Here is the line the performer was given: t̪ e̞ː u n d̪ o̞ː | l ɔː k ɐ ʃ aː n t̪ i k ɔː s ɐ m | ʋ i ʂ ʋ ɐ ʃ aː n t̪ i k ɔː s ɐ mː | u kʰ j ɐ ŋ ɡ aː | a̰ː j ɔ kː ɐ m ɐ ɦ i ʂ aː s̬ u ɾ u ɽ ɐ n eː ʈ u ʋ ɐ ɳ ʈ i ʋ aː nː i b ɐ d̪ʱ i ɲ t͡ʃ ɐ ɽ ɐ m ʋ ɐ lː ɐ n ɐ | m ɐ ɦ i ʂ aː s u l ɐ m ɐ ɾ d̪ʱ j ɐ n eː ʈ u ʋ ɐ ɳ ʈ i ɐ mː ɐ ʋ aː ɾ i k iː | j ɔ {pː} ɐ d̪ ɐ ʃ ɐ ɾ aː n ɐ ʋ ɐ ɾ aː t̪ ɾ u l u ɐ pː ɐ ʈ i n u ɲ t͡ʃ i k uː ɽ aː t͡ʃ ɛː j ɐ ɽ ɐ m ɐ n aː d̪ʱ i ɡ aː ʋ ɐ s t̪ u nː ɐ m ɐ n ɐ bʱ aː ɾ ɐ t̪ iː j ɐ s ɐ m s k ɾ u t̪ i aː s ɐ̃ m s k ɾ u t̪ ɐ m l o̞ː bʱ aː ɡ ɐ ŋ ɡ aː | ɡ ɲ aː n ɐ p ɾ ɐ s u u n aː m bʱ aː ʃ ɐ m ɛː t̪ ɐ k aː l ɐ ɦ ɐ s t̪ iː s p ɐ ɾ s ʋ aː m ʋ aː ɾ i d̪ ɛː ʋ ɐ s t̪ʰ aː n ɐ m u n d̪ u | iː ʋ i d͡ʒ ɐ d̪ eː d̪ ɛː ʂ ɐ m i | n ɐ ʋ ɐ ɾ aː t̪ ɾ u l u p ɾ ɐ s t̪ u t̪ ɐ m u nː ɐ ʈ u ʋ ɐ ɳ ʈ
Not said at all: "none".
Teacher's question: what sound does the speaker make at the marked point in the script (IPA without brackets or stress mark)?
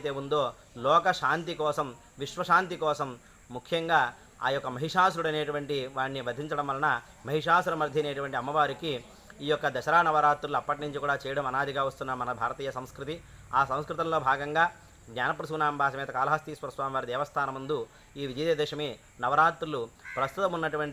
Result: kː